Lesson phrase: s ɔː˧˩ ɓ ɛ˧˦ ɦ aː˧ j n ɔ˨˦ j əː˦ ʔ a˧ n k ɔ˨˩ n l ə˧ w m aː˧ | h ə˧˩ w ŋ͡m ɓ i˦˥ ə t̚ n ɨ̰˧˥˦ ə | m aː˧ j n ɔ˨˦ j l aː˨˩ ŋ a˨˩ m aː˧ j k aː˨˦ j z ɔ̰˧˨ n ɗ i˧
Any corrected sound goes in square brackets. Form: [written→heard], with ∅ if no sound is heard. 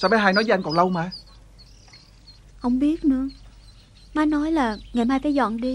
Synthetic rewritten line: s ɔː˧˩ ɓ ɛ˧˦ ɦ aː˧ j n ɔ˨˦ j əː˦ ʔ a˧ [n→ŋ] k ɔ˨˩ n l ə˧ w m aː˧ | h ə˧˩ w ŋ͡m ɓ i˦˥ ə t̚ n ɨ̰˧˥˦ ə | m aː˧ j n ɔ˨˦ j l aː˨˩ ŋ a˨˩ m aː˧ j k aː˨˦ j z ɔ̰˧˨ n ɗ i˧